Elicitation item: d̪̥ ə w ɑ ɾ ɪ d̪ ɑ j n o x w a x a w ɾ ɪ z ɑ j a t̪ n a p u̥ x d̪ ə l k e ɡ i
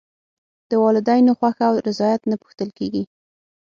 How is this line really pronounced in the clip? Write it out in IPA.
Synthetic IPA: d̪̥ ə w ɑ l ɪ d̪ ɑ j n o x w a x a w ɾ ɪ z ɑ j a t̪ n a p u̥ x t̪ ə l k e ɡ i

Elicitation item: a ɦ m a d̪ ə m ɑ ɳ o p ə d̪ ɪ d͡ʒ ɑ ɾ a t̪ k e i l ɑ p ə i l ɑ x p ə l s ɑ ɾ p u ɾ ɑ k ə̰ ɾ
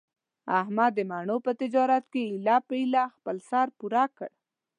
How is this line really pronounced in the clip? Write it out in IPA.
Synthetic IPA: a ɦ m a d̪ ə m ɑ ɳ o p ə t̪ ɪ d͡ʒ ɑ ɾ a t̪ k e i l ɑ p ə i l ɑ x p ə l s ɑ ɾ p u ɾ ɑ k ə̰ ɽ

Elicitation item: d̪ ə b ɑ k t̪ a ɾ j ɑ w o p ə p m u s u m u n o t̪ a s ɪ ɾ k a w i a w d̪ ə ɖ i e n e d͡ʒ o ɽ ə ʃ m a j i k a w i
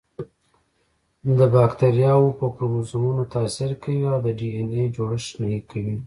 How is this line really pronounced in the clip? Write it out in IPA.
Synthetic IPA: d̪ ə b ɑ k t̪ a ɾ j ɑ w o p ə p m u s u m u n o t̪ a s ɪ ɾ k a w i a w d̪ ə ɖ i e n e d͡ʒ o ɽ ə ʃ n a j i k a w i

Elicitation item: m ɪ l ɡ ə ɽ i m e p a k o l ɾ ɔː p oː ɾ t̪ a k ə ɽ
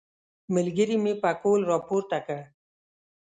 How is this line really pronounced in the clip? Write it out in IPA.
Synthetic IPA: m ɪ l ɡ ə ɾ i m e p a k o l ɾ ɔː p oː ɾ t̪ a k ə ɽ

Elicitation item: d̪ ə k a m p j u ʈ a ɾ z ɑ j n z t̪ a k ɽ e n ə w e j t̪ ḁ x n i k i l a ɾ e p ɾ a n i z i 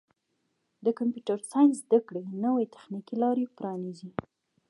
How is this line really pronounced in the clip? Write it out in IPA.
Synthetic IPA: d̪ ə k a m p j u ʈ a ɾ s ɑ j n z d̪ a k ɽ e n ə w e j t̪ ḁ x n i k i l ɑ ɾ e p ɾ ɑ n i z i

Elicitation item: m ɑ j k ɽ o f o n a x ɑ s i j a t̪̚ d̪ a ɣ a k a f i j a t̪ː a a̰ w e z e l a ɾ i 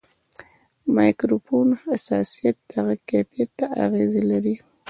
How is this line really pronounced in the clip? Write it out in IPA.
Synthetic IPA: m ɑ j k ɾ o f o n a s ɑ s i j a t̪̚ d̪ a ɣ a k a f i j a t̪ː a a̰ ɣ e z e l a ɾ i

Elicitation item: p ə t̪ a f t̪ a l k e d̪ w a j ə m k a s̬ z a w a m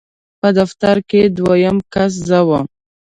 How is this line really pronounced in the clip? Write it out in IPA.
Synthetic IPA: p ə d̪ a f t̪ a ɾ k e d̪ w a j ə m k a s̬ z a w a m

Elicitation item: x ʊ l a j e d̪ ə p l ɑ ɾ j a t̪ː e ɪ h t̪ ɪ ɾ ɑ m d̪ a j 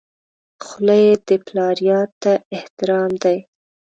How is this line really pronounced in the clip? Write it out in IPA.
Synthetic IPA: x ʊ l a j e d̪ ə p l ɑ ɾ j ɑ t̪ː a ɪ h t̪ ɪ ɾ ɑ m d̪ a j

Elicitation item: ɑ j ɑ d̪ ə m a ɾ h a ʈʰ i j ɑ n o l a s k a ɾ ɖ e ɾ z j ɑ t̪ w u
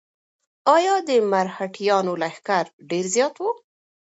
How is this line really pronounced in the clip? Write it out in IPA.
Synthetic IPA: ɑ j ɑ d̪ ə m a ɾ h a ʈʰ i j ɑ n o l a x k a ɾ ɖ e ɾ z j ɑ t̪ w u

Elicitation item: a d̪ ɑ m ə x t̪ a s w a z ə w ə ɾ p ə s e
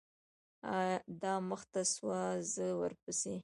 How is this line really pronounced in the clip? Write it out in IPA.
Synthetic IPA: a d̪ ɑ m ə x t̪ a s w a z ə w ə ɾ p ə s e

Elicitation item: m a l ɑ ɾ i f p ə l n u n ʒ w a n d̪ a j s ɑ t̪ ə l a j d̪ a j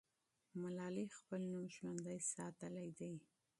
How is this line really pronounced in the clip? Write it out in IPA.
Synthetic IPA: m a l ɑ l i x p ə l n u m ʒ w a n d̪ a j s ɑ t̪ ə l a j d̪ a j

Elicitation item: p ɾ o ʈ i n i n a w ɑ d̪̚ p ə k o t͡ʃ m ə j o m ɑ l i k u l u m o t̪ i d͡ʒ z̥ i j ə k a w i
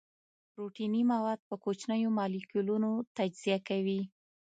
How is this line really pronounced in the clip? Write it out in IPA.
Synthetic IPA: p ɾ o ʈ i n i m a w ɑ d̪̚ p ə k o t͡ʃ n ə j o m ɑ l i k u l u n o t̪ a d͡ʒ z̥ i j a k a w i

